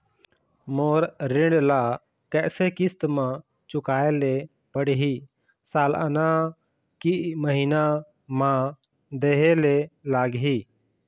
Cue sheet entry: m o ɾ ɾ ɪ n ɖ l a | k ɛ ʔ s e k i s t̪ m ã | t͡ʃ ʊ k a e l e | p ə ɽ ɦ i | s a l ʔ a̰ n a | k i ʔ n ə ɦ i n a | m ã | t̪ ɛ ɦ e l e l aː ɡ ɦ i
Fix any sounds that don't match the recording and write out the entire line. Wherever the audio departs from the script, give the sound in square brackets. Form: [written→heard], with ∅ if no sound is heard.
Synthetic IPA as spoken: m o ɾ ɾ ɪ [n→ɳ] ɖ l a | k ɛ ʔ s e k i s t̪ m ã | t͡ʃ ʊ k a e l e | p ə ɽ ɦ i | s a l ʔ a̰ n a | k i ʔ [n→m] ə ɦ i n a | m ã | [t̪→d̪] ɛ ɦ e l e l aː ɡ ɦ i